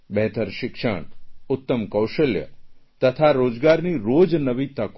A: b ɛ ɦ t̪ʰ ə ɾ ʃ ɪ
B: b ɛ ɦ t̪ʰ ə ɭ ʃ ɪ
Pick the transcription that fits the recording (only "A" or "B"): A